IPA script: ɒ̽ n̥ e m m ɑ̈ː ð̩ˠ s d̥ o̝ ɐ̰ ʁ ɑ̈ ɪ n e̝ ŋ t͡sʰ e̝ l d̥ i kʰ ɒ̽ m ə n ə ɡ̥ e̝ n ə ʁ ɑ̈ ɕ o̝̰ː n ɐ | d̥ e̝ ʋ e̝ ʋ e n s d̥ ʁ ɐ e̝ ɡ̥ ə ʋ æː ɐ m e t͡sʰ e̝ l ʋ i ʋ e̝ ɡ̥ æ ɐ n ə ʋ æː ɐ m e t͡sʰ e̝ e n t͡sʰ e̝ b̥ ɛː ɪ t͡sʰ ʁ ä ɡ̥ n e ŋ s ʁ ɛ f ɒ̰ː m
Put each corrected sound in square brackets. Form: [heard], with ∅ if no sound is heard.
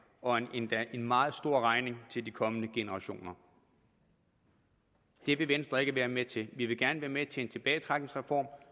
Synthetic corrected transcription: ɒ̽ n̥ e [n] m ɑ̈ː ð̩ˠ s d̥ o̝ ɐ̰ ʁ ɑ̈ ɪ n e̝ ŋ t͡sʰ e̝ l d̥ i kʰ ɒ̽ m ə n ə ɡ̥ e̝ n ə ʁ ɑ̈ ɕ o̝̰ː n ɐ | d̥ e̝ ʋ e̝ ʋ e n s d̥ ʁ ɐ e̝ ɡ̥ ə ʋ æː ɐ m e t͡sʰ e̝ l ʋ i ʋ e̝ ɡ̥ æ ɐ n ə ʋ æː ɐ m e t͡sʰ e̝ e n t͡sʰ e̝ b̥ ɛː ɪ t͡sʰ ʁ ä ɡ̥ n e ŋ s ʁ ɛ f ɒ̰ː m